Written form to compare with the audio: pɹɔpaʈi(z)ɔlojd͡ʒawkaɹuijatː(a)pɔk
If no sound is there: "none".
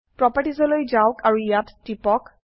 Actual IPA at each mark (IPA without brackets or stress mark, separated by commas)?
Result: z, i